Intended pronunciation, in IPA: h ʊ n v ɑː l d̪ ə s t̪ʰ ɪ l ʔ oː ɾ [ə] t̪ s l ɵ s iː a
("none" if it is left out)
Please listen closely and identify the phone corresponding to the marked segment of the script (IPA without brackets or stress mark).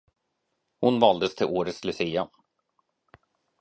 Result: ə